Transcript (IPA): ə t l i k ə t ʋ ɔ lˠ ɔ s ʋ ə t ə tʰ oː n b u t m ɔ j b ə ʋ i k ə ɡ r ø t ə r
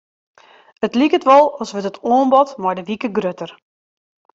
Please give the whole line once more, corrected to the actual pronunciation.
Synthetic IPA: ə t l i k ə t ʋ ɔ lˠ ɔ s ʋ ə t ə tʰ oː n b ɔ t m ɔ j d ə ʋ i k ə ɡ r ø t ə r